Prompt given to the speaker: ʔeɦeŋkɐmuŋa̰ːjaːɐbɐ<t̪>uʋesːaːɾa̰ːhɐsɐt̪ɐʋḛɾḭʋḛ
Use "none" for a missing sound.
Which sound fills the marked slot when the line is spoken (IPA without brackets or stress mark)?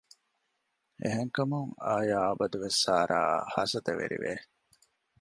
d̪